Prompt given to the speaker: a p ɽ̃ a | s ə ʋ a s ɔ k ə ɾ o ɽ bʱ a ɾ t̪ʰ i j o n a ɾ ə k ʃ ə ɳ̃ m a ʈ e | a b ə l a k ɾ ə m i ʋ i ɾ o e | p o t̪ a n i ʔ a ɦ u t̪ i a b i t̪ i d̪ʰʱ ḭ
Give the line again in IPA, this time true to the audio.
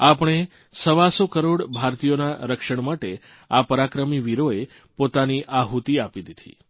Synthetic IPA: a p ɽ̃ e | s ə ʋ a s o k ə ɾ o ɽ bʱ a ɾ t̪ i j o n a ɾ ə k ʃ ə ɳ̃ m a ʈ e | a p ə ɾ a k ɾ ə m i ʋ i ɾ o e | p o t̪ a n i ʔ a ɦ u t̪ i a p i d̪ i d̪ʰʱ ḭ